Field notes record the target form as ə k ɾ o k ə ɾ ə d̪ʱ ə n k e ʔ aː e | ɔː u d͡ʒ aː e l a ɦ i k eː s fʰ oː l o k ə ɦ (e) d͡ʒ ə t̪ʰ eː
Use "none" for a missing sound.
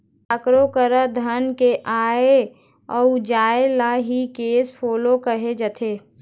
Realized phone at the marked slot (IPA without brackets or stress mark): e